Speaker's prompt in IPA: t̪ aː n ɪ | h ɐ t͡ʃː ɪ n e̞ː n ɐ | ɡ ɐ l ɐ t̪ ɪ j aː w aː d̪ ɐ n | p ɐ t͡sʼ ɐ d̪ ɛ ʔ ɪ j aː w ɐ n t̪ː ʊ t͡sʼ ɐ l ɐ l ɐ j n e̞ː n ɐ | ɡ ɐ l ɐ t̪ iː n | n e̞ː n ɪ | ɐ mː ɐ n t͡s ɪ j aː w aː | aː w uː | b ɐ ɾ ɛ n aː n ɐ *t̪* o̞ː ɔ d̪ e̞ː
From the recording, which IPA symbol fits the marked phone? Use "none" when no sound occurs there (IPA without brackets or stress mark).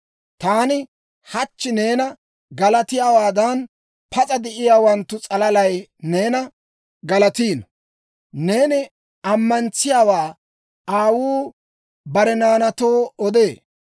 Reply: t̪